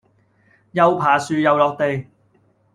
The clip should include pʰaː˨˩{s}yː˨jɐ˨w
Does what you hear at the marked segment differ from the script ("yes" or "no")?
no